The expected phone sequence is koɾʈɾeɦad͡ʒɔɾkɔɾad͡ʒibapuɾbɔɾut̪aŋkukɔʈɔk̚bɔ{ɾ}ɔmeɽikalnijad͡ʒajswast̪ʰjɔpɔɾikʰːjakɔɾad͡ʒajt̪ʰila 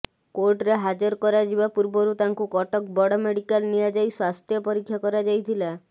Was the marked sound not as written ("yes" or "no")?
yes